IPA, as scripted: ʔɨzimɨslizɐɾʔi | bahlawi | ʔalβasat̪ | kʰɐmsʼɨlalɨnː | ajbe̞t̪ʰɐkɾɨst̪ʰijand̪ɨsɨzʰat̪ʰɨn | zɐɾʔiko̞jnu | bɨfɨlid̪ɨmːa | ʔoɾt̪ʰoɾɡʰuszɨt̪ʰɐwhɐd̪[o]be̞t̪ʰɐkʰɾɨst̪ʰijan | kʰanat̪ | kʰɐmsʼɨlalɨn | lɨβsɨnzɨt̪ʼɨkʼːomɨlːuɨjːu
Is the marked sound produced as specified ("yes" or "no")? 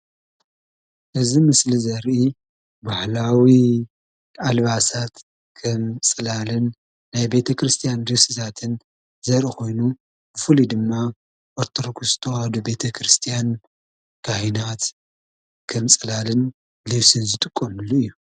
no